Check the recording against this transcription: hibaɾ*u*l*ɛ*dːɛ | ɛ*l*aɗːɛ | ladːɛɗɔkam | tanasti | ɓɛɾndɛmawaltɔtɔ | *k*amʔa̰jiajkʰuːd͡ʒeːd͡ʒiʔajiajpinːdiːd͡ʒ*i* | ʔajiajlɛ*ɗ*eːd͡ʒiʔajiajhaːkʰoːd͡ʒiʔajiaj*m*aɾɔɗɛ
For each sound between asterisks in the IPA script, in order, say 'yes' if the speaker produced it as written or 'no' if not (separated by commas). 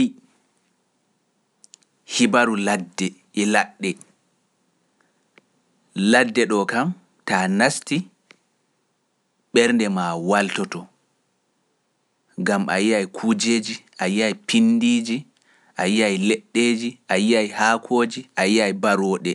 yes, no, yes, no, yes, no, no